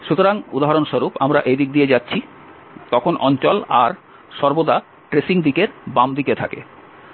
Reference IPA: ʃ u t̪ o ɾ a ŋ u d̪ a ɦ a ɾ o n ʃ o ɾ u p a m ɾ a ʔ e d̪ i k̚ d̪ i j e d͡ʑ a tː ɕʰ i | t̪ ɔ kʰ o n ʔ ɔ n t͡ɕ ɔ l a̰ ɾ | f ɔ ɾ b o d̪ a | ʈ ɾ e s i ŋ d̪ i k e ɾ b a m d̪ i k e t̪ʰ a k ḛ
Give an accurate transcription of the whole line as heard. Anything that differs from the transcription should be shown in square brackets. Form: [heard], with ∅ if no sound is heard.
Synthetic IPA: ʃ u t̪ o ɾ a ŋ u d̪ a ɦ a ɾ o n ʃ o ɾ u p a m ɾ a ʔ e d̪ i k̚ d̪ i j e d͡ʑ a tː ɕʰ i | t̪ ɔ kʰ o n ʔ ɔ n t͡ɕ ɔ l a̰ ɾ | [ʃ] ɔ ɾ b o d̪ a | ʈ ɾ e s i ŋ d̪ i k e ɾ b a m d̪ i k e t̪ʰ a k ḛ